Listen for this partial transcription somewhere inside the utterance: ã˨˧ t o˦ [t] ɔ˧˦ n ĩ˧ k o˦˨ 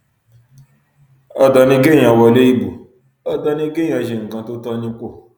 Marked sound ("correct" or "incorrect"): correct